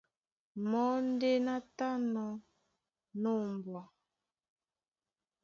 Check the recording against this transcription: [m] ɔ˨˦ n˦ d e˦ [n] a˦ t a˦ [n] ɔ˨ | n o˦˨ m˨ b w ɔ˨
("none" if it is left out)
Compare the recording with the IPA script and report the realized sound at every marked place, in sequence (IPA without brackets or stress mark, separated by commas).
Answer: m, n, n